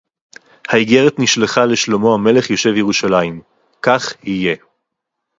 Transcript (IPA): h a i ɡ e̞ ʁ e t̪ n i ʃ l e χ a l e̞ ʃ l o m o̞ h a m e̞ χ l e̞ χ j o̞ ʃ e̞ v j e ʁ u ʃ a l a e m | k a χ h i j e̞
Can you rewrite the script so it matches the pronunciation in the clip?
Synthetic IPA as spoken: h a i ɡ e̞ ʁ e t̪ n i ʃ l e χ a l e̞ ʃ l o m o̞ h a m e̞ l e̞ χ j o̞ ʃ e̞ v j e ʁ u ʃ a l a i m | k a χ h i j e̞